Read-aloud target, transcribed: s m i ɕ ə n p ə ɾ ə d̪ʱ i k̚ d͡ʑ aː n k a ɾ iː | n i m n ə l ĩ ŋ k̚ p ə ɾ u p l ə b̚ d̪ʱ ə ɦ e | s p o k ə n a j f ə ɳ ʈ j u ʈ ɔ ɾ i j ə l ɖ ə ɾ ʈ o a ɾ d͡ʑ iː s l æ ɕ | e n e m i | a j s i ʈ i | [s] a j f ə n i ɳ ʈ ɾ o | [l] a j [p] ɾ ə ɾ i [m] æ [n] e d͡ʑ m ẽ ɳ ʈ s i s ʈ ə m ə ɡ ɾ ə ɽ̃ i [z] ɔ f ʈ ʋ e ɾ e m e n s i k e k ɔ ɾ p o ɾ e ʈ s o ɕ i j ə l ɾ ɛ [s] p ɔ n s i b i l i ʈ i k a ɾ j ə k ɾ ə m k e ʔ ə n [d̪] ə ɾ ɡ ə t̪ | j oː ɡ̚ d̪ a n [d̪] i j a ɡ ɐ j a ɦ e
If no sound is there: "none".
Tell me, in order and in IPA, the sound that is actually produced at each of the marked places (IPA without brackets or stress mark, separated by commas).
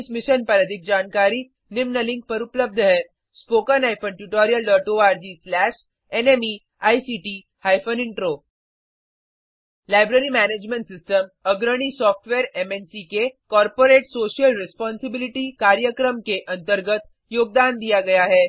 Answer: h, l, b, m, n, s, s, t̪, d̪